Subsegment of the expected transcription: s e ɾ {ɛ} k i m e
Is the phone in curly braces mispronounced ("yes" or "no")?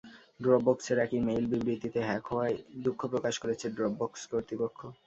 no